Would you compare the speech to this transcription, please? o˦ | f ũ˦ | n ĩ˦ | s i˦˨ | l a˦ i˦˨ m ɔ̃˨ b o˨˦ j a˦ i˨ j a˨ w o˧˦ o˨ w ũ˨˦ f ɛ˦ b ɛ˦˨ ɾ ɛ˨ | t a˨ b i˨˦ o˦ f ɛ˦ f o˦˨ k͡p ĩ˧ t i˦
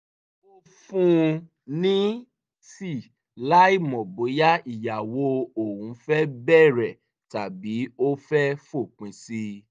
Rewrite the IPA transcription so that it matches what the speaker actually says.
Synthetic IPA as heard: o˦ | f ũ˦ | n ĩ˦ | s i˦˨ | l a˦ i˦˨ m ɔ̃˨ b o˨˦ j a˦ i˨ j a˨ w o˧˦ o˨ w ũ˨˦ f ɛ˦ b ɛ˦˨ ɾ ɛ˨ | t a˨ b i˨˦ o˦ f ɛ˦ f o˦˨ k͡p ĩ˧ s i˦